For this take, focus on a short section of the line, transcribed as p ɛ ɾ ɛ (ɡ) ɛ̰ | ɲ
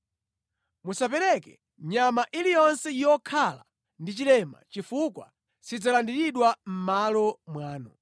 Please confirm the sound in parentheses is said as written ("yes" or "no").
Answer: no